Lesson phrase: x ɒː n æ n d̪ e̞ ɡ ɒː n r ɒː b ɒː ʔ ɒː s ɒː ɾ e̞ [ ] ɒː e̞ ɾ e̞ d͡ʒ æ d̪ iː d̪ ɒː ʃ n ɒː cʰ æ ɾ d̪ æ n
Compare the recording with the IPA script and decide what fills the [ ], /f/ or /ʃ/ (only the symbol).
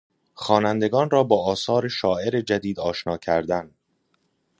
ʃ